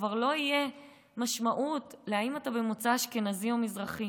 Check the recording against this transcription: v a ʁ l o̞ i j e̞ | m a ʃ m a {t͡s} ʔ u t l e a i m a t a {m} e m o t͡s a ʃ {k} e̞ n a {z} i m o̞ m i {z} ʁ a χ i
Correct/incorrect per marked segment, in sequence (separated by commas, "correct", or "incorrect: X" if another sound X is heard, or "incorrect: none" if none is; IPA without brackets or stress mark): incorrect: none, incorrect: b, correct, correct, correct